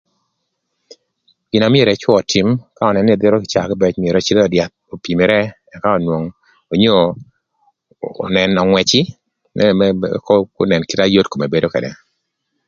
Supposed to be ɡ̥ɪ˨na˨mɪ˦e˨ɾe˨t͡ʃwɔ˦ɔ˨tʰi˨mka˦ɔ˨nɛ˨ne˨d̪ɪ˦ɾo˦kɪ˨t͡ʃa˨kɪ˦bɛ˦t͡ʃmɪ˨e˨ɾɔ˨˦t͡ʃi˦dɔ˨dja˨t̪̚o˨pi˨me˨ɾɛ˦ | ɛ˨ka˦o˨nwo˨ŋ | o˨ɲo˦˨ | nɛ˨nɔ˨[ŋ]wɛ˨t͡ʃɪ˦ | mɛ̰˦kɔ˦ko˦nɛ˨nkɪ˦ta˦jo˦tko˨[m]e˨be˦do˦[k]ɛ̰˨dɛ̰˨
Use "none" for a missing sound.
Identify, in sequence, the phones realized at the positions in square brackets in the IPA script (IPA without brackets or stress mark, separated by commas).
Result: ŋ, m, k